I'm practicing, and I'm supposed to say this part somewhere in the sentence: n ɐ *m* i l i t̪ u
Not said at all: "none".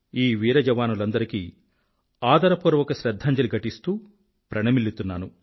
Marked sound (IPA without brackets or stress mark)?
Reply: m